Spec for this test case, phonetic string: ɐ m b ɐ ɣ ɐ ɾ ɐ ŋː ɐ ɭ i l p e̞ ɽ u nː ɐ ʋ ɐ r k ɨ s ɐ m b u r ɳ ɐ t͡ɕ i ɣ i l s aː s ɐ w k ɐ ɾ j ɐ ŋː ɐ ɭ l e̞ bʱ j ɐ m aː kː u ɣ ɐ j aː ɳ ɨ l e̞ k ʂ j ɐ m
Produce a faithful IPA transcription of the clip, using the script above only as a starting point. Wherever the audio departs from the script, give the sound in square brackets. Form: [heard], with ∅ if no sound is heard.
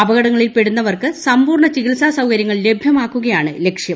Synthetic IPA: ɐ [∅] b ɐ ɣ ɐ [ɽ] ɐ ŋː ɐ ɭ i l p e̞ ɽ u nː ɐ ʋ ɐ r k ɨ s ɐ m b [uː] r ɳ ɐ t͡ɕ i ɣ i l s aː s ɐ w k ɐ ɾ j ɐ ŋː ɐ ɭ l e̞ bʱ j ɐ m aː kː u ɣ ɐ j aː ɳ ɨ l e̞ k ʂ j ɐ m